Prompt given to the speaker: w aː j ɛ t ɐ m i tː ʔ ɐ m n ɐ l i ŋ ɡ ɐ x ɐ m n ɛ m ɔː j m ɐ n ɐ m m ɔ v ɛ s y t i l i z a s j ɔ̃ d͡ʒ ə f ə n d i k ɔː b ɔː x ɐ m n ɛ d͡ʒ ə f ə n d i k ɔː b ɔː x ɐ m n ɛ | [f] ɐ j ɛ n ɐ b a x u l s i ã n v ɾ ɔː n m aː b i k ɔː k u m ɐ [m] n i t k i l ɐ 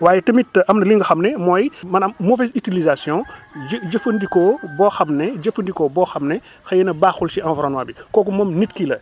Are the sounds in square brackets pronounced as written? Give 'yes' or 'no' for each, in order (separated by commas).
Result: no, yes